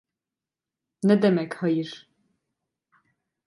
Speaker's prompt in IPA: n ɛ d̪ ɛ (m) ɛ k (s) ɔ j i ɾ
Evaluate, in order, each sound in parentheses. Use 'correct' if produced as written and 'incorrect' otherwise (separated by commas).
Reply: correct, incorrect